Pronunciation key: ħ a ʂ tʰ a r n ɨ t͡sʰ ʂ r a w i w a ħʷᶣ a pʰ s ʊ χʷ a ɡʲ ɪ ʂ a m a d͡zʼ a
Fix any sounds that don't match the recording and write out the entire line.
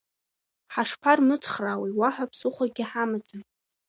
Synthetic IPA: ħ a ʂ pʰ a r m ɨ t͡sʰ χ r a w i w a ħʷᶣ a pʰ s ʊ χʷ a ɡʲ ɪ ħ a m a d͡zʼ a

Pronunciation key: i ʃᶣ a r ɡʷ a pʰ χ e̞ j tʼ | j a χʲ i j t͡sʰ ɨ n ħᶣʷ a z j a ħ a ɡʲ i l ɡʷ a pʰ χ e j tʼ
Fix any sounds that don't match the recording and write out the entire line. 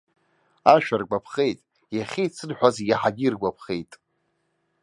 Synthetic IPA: a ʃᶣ a r ɡʷ a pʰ χ e̞ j tʼ | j a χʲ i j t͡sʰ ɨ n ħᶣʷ a z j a ħ a ɡʲ i r ɡʷ a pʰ χ e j tʼ

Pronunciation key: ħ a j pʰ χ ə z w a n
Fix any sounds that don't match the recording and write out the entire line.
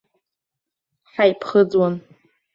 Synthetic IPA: ħ a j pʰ χ ə d͡z w a n

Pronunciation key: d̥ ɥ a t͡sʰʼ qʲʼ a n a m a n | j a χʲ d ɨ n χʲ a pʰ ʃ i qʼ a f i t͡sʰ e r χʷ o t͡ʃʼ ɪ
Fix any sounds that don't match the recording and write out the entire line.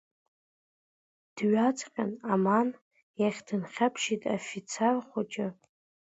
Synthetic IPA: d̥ ɥ a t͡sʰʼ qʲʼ a n a m a n | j a χʲ d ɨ n χʲ a pʰ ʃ i tʼ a f i t͡sʰ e r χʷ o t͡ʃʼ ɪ

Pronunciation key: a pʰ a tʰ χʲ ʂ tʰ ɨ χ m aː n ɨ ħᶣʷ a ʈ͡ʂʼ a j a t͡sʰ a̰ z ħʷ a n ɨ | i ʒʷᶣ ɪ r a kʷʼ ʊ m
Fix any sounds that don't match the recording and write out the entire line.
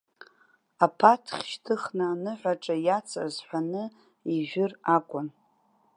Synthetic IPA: a pʰ a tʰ χʲ ʃ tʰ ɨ χ n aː n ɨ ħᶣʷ a ʈ͡ʂʼ a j a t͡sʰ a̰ z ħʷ a n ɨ | i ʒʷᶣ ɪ r a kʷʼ ʊ n

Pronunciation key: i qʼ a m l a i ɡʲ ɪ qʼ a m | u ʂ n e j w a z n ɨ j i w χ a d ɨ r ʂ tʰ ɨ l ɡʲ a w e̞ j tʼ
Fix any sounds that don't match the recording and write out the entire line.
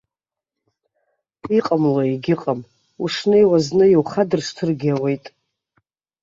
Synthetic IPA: i qʼ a m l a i ɡʲ ɪ qʼ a m | u ʂ n e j w a z n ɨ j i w χ a d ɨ r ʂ tʰ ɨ r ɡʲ a w e̞ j tʼ

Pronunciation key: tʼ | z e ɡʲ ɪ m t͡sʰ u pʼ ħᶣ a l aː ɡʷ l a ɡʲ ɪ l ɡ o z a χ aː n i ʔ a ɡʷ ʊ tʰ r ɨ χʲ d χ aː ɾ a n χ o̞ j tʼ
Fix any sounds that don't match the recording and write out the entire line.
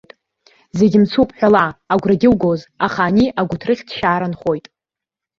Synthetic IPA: tʼ | z e ɡʲ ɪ m t͡sʰ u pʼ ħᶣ a l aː ɡʷ r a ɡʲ ɪ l ɡ o z a χ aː n i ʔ a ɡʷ ʊ tʰ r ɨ χʲ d ʃ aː ɾ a n χ o̞ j tʼ

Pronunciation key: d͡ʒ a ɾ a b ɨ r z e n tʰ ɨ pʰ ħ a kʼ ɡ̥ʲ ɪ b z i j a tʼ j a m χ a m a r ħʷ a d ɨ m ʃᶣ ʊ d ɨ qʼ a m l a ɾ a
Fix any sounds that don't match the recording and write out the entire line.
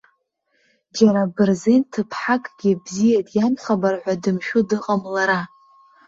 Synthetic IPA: d͡ʒ a ɾ a b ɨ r z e n tʰ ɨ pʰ ħ a kʼ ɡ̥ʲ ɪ b z i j a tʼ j a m χ a b a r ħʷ a d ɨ m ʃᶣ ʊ d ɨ qʼ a m l a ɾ a

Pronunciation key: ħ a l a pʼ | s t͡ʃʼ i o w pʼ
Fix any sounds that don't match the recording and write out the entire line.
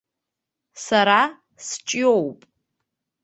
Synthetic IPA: s a ɾ a | s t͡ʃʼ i o w pʼ

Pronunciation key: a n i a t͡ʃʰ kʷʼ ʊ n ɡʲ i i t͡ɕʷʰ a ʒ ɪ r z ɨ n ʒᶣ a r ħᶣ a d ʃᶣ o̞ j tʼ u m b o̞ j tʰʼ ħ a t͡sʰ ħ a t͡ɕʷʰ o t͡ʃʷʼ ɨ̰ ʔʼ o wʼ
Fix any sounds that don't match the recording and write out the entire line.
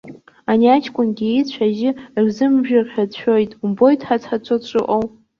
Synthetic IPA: a n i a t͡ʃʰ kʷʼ ʊ n ɡʲ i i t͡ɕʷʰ a ʒ ɪ r z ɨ m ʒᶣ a r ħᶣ a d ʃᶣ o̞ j tʼ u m b o̞ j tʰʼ ħ a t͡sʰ ħ a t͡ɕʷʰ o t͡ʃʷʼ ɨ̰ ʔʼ o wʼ

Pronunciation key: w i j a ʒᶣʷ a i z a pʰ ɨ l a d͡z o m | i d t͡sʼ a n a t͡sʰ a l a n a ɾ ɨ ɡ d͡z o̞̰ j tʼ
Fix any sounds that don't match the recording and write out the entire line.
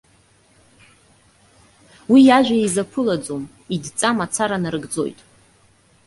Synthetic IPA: w i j a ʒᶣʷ a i z a pʰ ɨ l a d͡z o m | i d t͡sʼ a m a t͡sʰ a ɾ a n a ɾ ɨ ɡ d͡z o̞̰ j tʼ

